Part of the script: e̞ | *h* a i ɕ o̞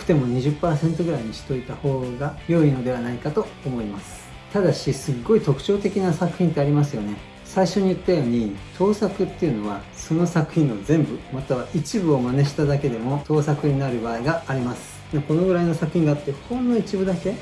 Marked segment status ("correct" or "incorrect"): incorrect